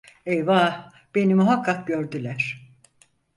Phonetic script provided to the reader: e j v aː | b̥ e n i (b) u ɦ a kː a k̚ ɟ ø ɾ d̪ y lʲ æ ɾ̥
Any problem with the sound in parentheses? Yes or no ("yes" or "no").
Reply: yes